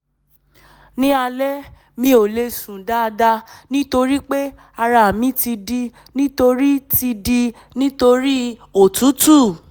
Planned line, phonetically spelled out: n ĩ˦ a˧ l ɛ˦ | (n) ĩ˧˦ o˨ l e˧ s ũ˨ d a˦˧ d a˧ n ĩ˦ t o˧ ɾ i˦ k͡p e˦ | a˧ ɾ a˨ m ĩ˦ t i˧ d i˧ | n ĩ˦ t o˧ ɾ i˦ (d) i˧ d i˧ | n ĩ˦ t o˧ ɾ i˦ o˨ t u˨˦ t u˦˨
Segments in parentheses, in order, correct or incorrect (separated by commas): incorrect, incorrect